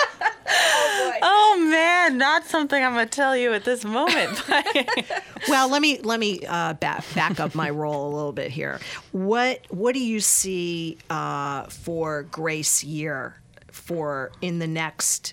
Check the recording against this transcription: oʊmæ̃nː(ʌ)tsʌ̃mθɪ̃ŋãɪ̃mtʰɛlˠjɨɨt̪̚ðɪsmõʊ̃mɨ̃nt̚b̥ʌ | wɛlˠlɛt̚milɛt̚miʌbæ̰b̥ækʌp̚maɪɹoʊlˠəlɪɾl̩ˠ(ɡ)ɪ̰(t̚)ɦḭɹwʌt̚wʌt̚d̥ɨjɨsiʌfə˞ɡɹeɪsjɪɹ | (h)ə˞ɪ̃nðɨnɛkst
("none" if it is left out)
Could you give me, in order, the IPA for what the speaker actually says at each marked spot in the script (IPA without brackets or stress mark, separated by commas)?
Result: ə, b, t̚, f